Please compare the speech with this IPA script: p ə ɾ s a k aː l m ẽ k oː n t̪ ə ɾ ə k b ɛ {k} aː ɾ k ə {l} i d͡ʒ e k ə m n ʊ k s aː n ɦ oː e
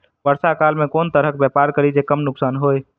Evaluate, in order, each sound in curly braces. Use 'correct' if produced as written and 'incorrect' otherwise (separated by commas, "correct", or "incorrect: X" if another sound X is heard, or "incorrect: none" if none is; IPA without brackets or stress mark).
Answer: incorrect: p, incorrect: ɾ